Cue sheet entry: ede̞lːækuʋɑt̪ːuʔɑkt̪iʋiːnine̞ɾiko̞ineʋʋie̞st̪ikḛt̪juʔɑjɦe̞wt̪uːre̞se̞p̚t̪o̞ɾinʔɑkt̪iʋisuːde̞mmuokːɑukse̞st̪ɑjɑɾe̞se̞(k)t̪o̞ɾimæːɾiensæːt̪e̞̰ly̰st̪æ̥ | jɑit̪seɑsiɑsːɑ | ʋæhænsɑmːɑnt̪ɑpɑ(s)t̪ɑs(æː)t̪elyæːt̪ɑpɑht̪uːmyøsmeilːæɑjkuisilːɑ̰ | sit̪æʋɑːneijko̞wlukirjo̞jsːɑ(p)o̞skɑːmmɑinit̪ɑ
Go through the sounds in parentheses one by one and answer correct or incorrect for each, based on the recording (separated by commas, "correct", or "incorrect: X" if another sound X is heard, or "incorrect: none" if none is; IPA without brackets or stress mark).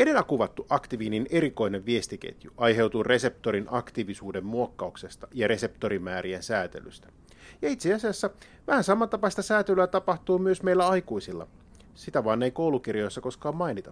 incorrect: p, correct, correct, incorrect: k